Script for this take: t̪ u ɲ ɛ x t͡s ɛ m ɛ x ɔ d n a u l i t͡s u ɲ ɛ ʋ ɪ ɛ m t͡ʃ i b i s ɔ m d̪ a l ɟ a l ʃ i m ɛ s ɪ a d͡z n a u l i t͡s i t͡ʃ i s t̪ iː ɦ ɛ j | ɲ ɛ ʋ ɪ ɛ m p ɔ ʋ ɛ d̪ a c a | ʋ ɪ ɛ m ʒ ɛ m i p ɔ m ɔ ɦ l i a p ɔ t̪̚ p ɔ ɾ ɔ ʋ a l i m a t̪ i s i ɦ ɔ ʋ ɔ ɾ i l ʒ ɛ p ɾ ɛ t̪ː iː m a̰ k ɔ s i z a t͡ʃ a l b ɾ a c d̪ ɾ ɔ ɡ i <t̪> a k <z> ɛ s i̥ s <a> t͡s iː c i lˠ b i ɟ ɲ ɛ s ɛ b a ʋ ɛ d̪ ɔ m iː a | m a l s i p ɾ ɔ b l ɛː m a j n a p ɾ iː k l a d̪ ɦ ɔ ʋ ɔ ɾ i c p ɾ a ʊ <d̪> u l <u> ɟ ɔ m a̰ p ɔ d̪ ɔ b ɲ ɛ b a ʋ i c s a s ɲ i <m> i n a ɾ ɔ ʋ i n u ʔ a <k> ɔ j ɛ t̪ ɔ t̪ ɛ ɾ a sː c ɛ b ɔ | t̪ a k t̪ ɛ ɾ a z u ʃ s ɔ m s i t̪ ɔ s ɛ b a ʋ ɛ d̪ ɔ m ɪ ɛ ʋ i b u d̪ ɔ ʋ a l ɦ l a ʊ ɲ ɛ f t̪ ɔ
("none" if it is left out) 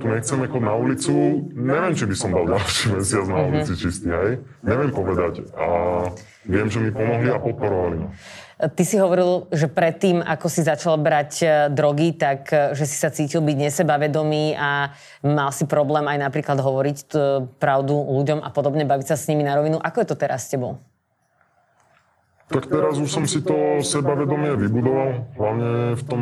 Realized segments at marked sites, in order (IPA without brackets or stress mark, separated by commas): t̪, ʒ, a, d̪, u, m, k